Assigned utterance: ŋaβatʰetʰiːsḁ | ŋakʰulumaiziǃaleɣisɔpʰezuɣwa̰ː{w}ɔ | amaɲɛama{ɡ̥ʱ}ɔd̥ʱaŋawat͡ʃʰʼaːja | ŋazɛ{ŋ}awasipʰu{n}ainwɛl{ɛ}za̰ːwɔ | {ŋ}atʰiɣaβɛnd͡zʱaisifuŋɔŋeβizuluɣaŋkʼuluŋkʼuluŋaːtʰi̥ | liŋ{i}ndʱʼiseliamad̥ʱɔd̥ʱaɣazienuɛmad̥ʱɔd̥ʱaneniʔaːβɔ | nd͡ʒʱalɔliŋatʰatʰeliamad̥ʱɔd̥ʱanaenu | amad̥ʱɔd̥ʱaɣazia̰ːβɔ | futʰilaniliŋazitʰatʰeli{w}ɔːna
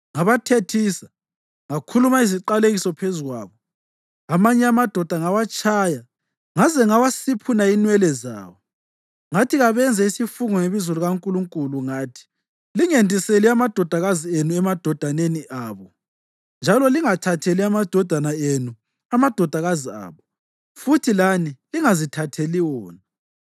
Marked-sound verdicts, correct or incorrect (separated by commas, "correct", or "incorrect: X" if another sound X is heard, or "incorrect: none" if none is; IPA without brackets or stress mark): incorrect: β, incorrect: d̥ʱ, correct, correct, correct, correct, incorrect: e, correct